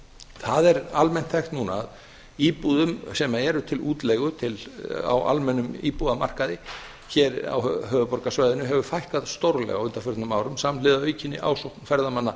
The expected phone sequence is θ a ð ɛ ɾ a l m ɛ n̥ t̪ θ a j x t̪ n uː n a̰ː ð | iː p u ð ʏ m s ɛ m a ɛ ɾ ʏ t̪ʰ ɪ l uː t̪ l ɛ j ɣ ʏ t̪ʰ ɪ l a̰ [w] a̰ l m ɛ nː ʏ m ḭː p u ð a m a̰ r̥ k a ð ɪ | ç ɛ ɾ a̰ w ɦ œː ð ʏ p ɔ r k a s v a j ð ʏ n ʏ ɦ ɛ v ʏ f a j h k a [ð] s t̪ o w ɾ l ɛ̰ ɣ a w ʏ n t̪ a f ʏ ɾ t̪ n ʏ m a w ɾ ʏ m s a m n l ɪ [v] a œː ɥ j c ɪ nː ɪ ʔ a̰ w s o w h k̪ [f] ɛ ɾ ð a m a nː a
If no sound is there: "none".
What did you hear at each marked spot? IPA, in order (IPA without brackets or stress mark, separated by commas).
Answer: w, ð, ð, f